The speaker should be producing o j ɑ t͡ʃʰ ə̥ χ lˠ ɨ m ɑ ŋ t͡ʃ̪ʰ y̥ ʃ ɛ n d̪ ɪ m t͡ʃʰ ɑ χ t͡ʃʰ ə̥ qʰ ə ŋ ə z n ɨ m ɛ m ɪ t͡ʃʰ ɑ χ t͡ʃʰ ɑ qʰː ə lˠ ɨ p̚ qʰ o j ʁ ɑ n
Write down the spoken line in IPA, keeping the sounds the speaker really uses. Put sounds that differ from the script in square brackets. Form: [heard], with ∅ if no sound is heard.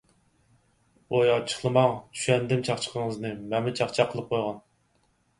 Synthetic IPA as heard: o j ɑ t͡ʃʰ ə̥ χ lˠ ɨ m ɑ ŋ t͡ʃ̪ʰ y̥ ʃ ɛ n d̪ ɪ m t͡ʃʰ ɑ χ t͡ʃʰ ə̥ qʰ ə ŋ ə z n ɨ m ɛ m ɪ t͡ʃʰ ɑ χ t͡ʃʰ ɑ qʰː ə lˠ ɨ p̚ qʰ o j ʁ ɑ n